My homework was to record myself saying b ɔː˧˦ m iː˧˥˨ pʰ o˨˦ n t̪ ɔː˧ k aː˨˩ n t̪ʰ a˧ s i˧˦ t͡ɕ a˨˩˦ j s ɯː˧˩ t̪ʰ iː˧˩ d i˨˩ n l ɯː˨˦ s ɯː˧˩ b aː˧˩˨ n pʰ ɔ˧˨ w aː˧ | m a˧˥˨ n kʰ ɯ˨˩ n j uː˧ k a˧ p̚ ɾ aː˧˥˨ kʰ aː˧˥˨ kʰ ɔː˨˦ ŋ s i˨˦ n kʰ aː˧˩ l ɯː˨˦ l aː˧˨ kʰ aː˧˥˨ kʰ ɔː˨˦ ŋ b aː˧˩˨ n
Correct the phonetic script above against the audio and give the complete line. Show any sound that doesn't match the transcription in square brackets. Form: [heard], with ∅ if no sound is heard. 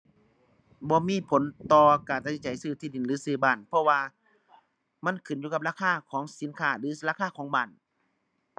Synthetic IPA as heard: b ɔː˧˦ m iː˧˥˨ pʰ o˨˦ n t̪ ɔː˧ k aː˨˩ n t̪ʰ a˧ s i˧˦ t͡ɕ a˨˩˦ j s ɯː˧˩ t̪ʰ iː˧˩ d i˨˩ n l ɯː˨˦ s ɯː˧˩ b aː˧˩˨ n pʰ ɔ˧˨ w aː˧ | m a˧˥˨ n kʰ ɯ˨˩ n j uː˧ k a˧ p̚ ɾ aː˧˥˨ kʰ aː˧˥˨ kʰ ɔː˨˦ ŋ s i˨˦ n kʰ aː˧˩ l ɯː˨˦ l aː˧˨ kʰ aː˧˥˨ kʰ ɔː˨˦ ŋ b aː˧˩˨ n